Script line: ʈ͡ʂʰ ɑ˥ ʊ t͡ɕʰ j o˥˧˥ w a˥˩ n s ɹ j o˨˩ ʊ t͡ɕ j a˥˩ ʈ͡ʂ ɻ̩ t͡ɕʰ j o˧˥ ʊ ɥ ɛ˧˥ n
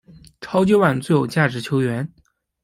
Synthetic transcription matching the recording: ʈ͡ʂʰ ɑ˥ ʊ t͡ɕ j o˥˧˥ w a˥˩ n t͡s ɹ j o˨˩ ʊ t͡ɕ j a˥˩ ʈ͡ʂ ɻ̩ t͡ɕʰ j o˧˥ ʊ ɥ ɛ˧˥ n